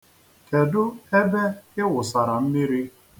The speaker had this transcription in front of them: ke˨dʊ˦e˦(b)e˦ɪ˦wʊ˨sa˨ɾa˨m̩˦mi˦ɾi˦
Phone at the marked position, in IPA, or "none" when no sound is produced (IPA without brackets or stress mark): b